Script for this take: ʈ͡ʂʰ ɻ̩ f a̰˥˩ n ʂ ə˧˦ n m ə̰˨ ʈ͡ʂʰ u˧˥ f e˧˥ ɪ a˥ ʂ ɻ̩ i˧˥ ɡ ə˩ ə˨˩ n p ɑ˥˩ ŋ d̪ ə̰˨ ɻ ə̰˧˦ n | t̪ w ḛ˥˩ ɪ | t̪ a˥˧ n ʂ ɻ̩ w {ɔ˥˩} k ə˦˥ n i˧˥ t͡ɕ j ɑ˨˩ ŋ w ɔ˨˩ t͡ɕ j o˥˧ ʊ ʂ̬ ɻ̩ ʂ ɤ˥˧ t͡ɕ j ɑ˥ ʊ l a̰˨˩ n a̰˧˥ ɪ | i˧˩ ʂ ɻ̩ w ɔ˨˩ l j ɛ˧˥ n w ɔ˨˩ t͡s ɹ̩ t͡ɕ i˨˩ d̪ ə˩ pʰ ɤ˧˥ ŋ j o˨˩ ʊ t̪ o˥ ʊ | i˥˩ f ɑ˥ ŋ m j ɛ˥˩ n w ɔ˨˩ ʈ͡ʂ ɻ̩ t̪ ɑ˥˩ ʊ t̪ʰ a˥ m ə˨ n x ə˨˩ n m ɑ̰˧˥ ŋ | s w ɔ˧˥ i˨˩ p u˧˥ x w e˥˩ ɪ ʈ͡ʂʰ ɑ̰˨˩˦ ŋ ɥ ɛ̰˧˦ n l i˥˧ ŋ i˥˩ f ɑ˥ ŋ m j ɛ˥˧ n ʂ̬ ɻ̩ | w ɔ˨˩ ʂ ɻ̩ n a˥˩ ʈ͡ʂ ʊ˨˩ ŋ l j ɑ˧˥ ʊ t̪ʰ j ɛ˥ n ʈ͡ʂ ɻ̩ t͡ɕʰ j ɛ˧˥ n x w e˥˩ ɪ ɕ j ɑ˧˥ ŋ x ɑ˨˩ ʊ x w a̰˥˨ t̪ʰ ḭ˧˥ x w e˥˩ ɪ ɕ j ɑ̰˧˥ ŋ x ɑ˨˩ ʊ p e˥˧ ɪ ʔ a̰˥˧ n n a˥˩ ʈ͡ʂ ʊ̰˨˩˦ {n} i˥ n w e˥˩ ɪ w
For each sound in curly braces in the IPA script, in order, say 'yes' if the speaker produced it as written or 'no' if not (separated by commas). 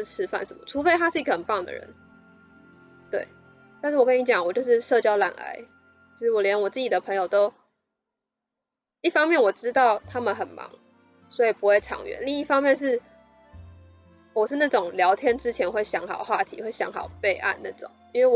no, no